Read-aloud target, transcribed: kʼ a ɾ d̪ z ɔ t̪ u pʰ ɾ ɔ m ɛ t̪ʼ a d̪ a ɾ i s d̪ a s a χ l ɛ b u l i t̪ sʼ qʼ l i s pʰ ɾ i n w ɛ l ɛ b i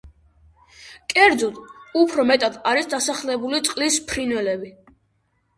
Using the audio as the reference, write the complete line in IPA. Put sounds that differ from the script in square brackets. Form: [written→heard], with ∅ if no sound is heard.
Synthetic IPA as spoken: kʼ [a→ɛ] ɾ d̪ z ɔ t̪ u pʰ ɾ ɔ m ɛ t̪ʼ a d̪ a ɾ i s d̪ a s a χ l ɛ b u l i t̪ sʼ qʼ l i s pʰ ɾ i n w ɛ l ɛ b i